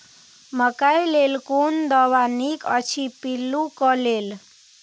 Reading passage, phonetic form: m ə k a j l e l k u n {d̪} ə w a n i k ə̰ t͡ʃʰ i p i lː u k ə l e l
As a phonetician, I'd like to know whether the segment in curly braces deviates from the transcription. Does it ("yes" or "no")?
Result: no